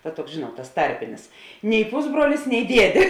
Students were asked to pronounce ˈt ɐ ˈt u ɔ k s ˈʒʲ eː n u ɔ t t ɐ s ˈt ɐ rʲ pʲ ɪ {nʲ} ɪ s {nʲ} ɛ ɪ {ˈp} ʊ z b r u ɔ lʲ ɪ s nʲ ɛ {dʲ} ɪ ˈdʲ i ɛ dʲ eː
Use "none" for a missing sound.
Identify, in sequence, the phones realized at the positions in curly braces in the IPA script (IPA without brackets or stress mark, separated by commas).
nʲ, nʲ, p, none